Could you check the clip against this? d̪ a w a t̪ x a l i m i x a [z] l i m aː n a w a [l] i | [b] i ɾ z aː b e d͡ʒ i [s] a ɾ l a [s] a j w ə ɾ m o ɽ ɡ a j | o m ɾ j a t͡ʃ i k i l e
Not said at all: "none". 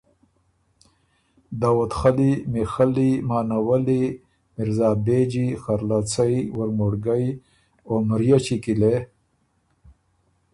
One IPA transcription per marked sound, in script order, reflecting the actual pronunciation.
none, l, m, x, t͡s

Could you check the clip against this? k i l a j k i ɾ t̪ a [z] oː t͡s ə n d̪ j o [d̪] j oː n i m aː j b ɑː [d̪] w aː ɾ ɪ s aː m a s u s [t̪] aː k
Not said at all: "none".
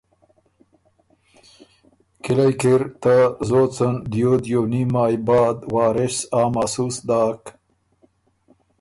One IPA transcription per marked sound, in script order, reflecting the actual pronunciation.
z, d̪, d̪, d̪

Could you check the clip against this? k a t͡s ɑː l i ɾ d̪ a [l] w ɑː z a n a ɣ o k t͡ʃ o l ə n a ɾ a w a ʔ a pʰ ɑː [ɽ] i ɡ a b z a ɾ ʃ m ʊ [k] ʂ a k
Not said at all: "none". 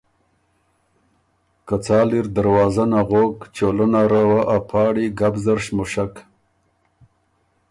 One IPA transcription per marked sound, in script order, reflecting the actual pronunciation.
ɾ, ɽ, none

